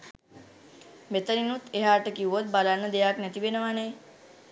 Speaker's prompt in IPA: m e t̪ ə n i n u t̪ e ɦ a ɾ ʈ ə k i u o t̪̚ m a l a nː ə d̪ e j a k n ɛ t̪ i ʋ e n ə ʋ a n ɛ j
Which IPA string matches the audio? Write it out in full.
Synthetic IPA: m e t̪ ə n i n u t̪ e ɦ a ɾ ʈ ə k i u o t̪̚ b a l a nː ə d̪ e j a k n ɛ t̪ i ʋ e n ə ʋ a n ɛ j